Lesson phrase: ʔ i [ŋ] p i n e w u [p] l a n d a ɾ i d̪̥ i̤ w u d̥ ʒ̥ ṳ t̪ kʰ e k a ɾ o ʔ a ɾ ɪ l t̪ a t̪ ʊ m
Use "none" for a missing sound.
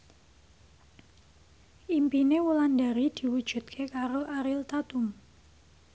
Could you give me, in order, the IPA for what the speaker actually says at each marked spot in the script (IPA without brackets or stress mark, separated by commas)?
m, none